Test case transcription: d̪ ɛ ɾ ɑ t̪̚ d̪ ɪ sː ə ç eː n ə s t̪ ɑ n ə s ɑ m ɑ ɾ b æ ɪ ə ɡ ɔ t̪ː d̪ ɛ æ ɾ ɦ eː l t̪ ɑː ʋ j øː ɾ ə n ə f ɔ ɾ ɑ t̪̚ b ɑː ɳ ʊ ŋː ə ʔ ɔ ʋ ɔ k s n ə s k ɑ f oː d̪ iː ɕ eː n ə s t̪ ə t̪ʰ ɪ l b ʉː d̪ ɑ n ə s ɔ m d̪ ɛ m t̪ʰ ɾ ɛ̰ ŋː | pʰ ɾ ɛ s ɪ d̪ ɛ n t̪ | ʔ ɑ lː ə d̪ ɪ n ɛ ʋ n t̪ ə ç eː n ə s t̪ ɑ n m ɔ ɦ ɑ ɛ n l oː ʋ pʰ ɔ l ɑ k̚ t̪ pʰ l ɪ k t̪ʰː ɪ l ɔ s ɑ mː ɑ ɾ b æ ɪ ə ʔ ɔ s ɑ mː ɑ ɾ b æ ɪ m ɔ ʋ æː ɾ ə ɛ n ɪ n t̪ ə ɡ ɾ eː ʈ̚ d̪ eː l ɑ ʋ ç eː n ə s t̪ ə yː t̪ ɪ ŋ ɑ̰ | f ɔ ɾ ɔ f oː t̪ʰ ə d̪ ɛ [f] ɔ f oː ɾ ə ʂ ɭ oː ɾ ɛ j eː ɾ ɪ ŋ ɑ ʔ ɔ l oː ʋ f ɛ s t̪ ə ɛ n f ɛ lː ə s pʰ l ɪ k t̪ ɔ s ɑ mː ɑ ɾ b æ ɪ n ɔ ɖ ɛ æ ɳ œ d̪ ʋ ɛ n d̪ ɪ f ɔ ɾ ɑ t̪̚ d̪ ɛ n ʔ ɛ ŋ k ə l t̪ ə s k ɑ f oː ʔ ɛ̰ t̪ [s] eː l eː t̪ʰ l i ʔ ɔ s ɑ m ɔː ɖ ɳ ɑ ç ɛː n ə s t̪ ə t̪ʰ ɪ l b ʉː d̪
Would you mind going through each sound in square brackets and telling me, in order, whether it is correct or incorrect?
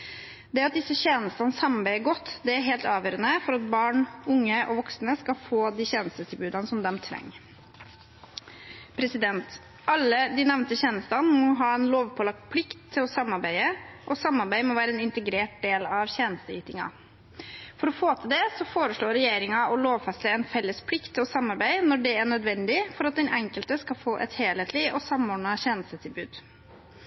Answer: incorrect: s, incorrect: h

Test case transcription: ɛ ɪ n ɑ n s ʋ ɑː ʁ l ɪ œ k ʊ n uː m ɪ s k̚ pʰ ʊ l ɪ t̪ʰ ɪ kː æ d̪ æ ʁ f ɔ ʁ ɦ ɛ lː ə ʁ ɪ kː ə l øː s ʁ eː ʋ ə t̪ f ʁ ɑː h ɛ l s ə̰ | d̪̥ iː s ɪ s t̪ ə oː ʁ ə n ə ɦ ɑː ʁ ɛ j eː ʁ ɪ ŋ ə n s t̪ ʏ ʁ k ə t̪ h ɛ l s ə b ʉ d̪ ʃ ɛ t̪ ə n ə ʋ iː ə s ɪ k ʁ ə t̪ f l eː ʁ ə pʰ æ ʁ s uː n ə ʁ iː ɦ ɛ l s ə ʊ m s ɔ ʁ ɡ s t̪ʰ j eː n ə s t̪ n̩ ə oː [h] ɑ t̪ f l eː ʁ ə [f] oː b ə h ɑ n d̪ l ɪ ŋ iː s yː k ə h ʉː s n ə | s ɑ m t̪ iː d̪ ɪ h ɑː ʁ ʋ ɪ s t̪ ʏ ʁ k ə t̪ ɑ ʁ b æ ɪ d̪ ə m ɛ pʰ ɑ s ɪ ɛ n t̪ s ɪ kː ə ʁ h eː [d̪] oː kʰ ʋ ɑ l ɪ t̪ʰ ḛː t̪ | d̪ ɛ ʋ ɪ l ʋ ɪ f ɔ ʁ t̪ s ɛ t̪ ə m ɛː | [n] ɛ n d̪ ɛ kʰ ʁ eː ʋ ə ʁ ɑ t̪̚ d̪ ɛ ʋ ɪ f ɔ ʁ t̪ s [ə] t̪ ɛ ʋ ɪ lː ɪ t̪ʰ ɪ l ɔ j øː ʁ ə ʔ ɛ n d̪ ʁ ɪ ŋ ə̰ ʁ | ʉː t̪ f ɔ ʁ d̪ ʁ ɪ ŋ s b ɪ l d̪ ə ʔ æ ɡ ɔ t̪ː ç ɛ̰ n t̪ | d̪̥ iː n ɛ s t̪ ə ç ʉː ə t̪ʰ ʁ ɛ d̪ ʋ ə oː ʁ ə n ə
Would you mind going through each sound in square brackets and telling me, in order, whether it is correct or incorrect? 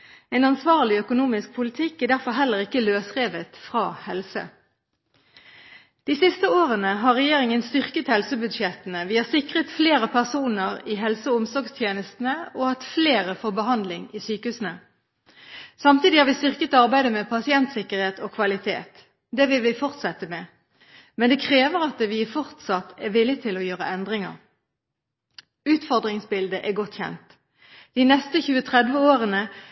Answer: correct, correct, incorrect: t̪, incorrect: m, incorrect: ɑ

